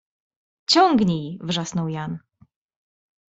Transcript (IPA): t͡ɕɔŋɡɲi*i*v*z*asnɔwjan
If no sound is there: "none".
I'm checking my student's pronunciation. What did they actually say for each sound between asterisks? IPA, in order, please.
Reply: j, ʐ

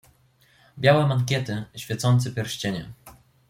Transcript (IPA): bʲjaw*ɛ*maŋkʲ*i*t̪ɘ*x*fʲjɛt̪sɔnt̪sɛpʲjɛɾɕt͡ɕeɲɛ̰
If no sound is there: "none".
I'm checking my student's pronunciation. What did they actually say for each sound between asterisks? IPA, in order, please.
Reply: ɛ, ɛ, ɕ

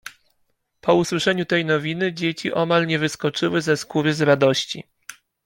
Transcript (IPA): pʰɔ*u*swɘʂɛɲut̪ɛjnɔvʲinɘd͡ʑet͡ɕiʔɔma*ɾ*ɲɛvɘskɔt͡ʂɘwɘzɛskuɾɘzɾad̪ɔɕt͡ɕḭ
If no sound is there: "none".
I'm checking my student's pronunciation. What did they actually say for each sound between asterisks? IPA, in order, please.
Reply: u, l

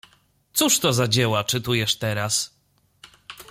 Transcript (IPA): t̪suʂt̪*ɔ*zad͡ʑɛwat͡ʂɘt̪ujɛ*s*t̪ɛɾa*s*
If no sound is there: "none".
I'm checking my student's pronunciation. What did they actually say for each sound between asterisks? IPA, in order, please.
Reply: ɔ, ʂ, s

